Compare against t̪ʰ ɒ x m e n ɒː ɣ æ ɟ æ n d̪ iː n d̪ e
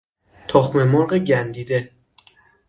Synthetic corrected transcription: t̪ʰ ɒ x m e m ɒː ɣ e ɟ æ n d̪ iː d̪ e